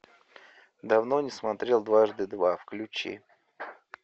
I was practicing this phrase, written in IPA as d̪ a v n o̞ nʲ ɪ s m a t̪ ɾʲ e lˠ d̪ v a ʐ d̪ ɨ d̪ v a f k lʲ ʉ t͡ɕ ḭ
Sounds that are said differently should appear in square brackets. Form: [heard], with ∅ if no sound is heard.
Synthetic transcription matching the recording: d̪ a v n o̞ nʲ ɪ s m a t̪ ɾʲ e lˠ d̪ v a ʐ d̪ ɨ d̪ v a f k lʲ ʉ t͡ɕ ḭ